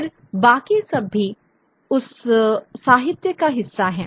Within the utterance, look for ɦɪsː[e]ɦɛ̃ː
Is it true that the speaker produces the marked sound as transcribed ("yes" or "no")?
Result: no